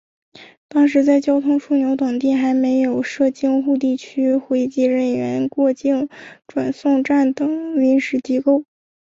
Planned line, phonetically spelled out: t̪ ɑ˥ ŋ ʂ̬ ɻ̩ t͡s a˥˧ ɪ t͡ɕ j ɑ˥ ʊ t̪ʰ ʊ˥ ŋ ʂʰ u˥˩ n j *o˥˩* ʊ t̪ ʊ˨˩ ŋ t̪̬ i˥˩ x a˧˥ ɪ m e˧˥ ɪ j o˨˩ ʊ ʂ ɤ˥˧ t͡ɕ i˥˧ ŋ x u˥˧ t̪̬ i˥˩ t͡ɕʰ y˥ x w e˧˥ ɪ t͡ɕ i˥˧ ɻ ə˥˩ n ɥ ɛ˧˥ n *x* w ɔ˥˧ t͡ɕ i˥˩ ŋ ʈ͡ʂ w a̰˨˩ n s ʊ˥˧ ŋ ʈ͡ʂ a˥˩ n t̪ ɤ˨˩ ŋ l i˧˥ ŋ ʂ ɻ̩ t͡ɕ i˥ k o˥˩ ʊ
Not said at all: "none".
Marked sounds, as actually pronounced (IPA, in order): o˧˥, k

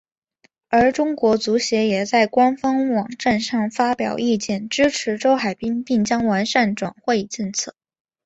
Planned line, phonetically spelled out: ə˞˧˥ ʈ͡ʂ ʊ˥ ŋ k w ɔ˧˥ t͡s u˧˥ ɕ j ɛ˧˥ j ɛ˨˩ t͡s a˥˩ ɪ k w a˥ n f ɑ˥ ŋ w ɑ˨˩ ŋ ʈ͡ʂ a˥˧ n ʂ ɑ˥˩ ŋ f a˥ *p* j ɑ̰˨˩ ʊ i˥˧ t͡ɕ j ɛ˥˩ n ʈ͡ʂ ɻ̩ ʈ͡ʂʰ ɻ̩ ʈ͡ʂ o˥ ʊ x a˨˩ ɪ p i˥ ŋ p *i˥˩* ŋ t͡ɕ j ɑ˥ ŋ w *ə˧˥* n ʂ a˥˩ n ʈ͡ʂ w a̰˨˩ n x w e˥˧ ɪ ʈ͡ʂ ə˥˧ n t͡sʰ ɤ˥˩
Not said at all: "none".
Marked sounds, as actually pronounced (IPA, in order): p, i˥˩, a˧˥

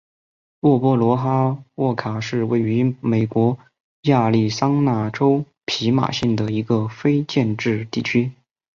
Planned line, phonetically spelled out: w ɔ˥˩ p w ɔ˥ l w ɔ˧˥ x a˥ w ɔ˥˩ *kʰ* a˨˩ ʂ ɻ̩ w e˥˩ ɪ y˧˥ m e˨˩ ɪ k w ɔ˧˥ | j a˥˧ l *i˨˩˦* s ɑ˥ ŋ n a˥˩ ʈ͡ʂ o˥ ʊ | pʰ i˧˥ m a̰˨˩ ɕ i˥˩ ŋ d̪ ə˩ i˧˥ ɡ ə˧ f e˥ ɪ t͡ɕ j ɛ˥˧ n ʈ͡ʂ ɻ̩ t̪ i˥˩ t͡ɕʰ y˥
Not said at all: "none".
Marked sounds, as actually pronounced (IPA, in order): kʰ, i˥˩

